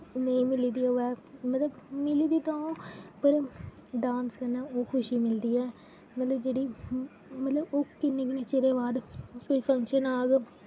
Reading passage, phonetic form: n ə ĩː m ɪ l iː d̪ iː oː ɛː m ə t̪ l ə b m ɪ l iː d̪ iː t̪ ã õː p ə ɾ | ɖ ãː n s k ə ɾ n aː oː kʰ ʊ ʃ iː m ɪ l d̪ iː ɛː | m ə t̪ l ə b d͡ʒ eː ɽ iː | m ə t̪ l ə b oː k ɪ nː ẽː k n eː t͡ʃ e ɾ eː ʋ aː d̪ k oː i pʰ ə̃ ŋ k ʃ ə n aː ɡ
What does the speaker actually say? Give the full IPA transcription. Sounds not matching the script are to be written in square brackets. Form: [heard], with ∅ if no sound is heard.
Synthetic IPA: n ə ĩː m ɪ l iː d̪ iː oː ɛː m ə t̪ l ə b m ɪ l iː d̪ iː t̪ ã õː p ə ɾ | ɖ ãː n s k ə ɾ n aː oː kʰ ʊ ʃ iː m ɪ l d̪ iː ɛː | m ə t̪ l ə b d͡ʒ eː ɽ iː | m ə t̪ l ə b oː k ɪ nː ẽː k n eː t͡ʃ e ɾ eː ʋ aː d̪ k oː i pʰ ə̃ ŋ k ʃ ə n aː ɡ